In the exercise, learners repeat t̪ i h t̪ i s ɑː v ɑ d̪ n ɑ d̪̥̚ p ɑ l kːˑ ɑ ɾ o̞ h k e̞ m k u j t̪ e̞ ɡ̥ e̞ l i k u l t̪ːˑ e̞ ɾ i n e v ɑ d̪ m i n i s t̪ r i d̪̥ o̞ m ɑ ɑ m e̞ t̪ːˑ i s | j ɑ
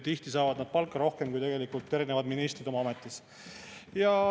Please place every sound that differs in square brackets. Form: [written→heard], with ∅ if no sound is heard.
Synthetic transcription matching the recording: t̪ i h t̪ i s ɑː v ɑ d̪ n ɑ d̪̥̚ p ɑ l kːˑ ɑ ɾ o̞ h k e̞ m k u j t̪ e̞ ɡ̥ e̞ l i k u l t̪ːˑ e̞ ɾ i n e v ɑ d̪ m i n i s t̪ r i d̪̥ o̞ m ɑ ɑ m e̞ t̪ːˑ i s | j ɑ